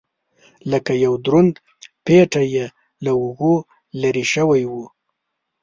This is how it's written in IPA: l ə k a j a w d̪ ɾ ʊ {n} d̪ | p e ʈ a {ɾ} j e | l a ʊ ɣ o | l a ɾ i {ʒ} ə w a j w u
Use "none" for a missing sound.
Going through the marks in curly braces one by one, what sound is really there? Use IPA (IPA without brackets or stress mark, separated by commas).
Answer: n, none, ʃ